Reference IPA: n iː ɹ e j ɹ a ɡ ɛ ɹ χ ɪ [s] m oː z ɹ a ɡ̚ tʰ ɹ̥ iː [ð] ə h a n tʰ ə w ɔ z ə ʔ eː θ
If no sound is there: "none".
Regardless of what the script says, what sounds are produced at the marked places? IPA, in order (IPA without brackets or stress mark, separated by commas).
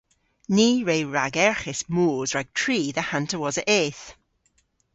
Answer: s, ð